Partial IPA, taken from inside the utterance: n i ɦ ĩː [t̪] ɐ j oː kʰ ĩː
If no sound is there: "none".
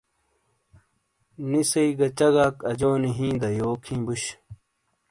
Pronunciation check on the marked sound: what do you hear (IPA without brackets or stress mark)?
d̪